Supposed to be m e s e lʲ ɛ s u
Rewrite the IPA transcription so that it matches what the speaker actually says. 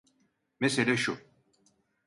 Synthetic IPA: m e s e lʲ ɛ ʃ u